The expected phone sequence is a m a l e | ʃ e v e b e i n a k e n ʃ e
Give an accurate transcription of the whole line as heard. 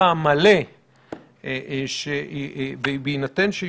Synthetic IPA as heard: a m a l e | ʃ e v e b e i n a t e n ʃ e